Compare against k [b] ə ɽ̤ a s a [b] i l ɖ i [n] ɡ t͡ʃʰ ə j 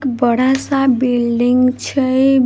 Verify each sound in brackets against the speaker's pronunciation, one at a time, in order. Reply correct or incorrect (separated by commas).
correct, correct, incorrect